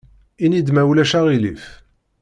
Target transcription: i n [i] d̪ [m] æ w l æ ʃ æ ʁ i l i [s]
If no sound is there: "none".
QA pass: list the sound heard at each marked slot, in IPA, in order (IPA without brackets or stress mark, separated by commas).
i, m, f